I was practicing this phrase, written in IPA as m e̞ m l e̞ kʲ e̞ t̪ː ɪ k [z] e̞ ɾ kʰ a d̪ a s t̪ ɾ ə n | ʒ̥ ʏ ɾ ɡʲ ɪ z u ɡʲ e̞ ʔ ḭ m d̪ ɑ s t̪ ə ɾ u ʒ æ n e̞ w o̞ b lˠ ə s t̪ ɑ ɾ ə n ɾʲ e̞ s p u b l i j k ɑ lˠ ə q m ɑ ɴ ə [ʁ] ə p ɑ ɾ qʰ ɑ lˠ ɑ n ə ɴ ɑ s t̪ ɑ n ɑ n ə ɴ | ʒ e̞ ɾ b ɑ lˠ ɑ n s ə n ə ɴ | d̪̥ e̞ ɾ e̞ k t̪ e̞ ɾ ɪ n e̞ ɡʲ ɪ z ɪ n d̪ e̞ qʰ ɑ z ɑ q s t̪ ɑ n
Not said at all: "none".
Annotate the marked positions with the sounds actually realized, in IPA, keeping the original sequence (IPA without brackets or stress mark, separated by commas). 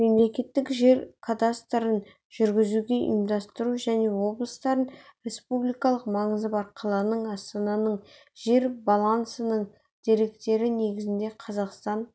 ʒ, z